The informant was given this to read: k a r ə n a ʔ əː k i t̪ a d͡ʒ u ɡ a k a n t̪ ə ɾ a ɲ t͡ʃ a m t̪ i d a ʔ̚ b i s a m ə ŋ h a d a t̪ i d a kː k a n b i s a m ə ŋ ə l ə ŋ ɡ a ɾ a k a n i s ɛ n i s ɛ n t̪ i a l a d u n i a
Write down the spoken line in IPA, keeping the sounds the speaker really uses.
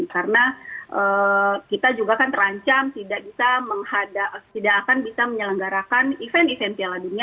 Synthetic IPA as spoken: k a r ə n a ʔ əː k i t̪ a d͡ʒ u ɡ a k a n t̪ ə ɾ a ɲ t͡ʃ a m t̪ i d a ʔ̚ b i s a m ə ŋ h a d a t̪ i d a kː k a n b i s a m ə ɲ ə l ə ŋ ɡ a ɾ a k a n i f ɛ n i f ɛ n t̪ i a l a d u n i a